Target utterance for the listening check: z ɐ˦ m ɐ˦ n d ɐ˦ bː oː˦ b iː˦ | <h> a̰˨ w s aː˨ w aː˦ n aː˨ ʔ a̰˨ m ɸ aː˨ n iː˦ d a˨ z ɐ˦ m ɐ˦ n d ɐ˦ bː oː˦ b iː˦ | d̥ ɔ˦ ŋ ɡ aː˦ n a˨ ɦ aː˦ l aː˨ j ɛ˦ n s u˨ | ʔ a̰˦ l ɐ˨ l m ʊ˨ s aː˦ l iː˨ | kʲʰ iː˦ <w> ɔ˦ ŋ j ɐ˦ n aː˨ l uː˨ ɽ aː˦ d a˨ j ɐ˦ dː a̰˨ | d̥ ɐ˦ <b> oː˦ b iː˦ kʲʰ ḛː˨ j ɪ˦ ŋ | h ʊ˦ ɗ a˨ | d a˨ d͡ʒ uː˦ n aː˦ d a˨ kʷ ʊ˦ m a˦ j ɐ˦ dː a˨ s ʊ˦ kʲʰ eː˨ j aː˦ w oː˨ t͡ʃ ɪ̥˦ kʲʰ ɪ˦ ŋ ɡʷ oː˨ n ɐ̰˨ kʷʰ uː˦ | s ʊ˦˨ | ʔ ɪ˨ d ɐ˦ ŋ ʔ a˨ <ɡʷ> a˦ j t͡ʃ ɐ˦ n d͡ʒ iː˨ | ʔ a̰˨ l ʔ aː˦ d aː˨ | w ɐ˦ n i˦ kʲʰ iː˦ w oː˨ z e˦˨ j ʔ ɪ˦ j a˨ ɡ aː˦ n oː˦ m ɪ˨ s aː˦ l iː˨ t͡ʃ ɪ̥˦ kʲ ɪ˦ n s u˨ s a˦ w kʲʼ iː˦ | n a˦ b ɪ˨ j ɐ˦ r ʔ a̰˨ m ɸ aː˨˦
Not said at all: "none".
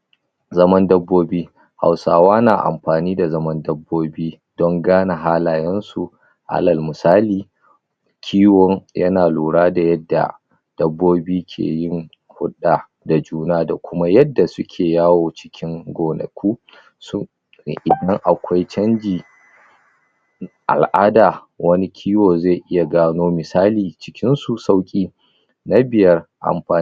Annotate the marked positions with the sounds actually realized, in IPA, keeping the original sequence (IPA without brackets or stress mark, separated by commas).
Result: h, w, bː, kʷ